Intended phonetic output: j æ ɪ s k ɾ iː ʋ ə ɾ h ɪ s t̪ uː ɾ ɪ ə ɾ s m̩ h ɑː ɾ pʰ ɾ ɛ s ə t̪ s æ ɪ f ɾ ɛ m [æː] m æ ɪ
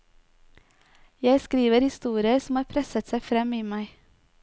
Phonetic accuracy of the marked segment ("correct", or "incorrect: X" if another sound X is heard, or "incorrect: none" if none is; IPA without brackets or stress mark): incorrect: iː